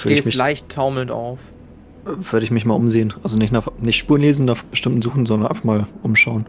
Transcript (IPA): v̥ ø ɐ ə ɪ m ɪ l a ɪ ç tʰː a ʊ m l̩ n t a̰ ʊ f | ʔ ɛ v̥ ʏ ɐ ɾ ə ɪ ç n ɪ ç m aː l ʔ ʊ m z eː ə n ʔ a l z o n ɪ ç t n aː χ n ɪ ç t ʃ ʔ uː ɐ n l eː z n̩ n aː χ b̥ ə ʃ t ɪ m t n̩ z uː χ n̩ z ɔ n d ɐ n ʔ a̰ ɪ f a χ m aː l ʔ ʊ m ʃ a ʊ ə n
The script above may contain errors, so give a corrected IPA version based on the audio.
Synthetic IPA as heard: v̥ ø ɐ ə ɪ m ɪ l a ɪ ç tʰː a ʊ m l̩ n t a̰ ʊ f | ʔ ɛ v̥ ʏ ɐ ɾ ə ɪ ç m ɪ ç m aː l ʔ ʊ m z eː ə n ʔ a l z o n ɪ ç t n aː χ n ɪ ç t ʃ p uː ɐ n l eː z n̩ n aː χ b̥ ə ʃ t ɪ m t n̩ z uː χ n̩ z ɔ n d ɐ n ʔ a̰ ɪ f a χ m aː l ʔ ʊ m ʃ a ʊ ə n